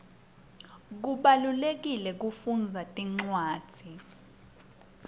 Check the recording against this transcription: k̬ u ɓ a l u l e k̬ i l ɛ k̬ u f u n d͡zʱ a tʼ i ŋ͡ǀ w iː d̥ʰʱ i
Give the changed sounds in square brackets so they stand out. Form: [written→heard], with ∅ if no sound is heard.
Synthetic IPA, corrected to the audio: k̬ u ɓ a l u l e k̬ i l ɛ k̬ u f u n d͡zʱ a tʼ i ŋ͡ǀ w [iː→aː] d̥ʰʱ i